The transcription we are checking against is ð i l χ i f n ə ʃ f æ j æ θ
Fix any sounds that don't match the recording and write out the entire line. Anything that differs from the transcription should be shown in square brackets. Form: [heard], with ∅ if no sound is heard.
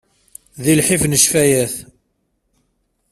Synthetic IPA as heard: ð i l [ħ] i f n ə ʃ f æ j æ θ